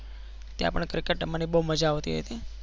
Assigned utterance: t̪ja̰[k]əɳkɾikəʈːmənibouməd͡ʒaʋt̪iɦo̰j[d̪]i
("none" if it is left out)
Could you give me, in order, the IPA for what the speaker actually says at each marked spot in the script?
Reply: p, t̪

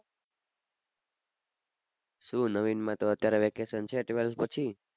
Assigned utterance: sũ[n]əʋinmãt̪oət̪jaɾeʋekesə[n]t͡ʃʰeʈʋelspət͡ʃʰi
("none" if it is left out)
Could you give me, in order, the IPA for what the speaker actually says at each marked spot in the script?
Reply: n, n

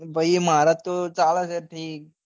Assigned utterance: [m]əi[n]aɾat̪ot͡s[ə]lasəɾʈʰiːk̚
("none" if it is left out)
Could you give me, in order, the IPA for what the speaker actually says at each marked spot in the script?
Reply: b, m, a

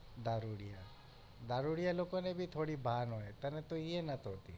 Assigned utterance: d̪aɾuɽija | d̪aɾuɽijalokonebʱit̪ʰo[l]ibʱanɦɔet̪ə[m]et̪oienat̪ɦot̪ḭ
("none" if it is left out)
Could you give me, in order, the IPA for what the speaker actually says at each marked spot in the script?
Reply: ɽ, n

